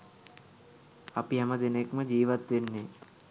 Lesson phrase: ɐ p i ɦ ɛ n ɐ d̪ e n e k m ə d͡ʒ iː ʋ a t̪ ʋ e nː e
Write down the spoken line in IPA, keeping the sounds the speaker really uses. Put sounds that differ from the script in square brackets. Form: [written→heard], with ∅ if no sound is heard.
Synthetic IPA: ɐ p i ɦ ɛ [n→m] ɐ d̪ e n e k m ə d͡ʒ iː ʋ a t̪ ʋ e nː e

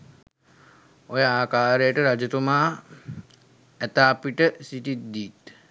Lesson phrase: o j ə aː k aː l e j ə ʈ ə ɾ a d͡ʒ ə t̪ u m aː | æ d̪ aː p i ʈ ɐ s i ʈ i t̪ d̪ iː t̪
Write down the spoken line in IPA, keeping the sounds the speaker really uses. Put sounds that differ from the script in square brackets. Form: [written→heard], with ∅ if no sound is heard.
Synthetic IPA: o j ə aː k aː [l→ɾ] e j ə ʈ ə ɾ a d͡ʒ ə t̪ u m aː | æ [d̪→t̪] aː p i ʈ [ɐ→ə] s i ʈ i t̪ d̪ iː t̪

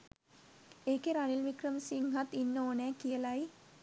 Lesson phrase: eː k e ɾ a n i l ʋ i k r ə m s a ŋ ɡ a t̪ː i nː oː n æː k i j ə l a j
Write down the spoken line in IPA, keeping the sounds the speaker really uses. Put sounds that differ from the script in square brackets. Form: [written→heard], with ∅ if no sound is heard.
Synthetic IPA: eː k e ɾ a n i l ʋ i k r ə m s [a→i] ŋ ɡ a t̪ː i nː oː n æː k i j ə l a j

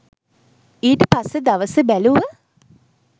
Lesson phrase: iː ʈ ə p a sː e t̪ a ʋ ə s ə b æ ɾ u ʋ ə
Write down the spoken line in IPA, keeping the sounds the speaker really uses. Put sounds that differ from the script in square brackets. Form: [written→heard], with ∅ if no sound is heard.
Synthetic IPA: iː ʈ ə p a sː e [t̪→d̪] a ʋ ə s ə b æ [ɾ→l] u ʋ ə

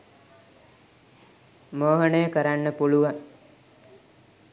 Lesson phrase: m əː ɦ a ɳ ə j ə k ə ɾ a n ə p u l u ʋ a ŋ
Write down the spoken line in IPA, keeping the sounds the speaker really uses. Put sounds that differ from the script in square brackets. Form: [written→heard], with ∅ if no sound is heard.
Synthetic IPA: m əː ɦ [a→ə] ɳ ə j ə k ə ɾ a [n→nː] ə p u l u ʋ a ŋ

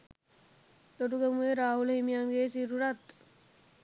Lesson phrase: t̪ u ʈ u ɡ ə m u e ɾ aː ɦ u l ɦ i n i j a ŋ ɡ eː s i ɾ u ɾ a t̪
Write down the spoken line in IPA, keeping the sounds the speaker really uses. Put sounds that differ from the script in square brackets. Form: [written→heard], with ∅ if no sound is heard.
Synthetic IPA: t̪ [u→o] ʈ u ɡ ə m u e ɾ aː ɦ u l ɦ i [n→m] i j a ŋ ɡ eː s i ɾ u ɾ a t̪

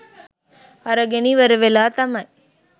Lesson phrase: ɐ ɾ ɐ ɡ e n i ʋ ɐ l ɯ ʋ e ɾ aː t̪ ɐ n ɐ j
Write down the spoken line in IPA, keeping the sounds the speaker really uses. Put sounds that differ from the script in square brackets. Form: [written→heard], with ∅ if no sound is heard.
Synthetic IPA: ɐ ɾ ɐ ɡ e n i ʋ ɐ [l→ɾ] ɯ ʋ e [ɾ→l] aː t̪ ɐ [n→m] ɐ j

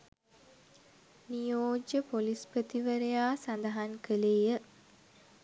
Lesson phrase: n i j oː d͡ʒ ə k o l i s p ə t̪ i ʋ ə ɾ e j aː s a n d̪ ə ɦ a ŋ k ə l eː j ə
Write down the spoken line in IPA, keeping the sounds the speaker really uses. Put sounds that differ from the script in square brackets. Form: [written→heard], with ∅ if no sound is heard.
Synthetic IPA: n i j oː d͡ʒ ə [k→p] o l i s p ə t̪ i ʋ ə ɾ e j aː s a n d̪ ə ɦ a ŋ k ə l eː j ə

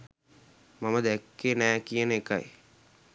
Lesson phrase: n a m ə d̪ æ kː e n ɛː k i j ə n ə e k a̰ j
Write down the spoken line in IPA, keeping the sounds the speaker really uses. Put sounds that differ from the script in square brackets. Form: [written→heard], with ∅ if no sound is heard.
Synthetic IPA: [n→m] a m ə d̪ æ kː e n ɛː k i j ə n ə e k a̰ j

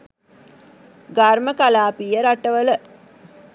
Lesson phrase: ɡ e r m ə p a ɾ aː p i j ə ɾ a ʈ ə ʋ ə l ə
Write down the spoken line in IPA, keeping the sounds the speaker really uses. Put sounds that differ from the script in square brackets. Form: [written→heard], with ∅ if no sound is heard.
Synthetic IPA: ɡ [e→a] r m ə [p→k] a [ɾ→l] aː p i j ə ɾ a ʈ ə ʋ ə l ə

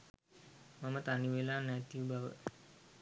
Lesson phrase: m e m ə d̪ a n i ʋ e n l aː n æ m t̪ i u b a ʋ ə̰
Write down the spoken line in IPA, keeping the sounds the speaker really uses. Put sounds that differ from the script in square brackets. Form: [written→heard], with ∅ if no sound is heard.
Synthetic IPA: m [e→a] m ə [d̪→t̪] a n i ʋ e [n→∅] l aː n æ [m→∅] t̪ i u b a ʋ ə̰

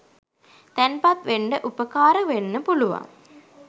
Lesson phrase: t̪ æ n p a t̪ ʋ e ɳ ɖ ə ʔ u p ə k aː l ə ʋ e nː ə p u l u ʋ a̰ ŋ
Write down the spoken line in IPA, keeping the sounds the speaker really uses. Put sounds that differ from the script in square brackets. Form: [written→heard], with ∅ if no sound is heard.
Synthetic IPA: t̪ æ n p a t̪ ʋ e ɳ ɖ ə ʔ u p ə k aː [l→ɾ] ə ʋ e nː ə p u l u ʋ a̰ ŋ

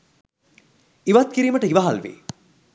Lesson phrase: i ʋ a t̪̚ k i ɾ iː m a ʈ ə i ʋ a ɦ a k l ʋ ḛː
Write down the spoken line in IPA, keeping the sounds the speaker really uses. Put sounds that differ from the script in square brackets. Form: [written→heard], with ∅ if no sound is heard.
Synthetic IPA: i ʋ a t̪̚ k i ɾ iː m [a→ə] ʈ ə i ʋ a ɦ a [k→∅] l ʋ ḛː

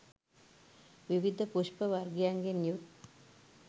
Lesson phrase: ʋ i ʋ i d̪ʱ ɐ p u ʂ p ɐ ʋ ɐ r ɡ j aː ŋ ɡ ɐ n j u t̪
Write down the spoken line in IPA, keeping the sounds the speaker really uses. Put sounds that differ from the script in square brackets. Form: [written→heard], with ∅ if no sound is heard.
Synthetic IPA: ʋ i ʋ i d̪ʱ ɐ p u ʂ p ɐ ʋ ɐ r ɡ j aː ŋ ɡ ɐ n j u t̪

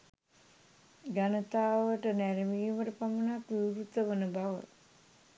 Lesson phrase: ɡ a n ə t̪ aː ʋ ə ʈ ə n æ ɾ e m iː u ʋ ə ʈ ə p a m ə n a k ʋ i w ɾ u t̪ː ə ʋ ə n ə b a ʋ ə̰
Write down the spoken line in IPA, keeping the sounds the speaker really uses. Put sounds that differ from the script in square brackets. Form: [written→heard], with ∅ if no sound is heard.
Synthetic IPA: ɡ a n ə t̪ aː ʋ ə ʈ ə n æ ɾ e m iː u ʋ ə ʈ ə p a m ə n a k ʋ i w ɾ u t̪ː ə ʋ ə n ə b a ʋ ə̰

